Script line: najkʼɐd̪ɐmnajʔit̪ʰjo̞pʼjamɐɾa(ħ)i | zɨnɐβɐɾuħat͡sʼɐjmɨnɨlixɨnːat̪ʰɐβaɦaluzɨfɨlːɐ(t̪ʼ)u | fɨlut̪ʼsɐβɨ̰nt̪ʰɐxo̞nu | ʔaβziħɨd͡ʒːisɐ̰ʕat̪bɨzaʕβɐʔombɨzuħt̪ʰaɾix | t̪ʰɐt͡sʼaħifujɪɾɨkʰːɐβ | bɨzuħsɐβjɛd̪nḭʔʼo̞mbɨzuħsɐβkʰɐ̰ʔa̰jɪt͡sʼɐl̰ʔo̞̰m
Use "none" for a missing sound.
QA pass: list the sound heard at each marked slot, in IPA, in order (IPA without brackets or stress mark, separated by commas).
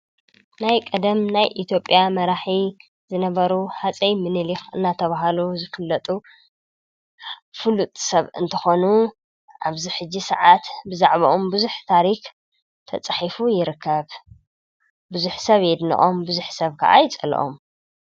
ħ, t̪ʼ